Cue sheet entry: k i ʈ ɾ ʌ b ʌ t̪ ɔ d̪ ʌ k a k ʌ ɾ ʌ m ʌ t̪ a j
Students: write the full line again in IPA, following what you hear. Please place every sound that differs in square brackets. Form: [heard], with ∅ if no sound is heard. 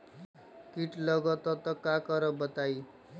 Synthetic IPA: k i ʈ [l] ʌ [ɡ] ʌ t̪ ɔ [t̪] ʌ k a k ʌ ɾ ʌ [b] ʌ t̪ a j